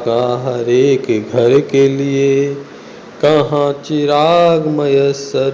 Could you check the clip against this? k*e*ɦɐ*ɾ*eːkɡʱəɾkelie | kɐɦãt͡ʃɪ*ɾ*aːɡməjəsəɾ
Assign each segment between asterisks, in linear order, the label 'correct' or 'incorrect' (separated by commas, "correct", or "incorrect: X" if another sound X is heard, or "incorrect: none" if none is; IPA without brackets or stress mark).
incorrect: a, correct, correct